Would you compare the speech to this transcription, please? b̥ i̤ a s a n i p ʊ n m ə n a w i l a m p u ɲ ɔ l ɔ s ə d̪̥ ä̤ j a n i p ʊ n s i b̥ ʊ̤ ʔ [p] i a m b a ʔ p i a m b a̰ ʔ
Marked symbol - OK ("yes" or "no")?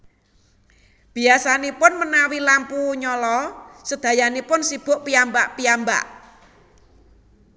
yes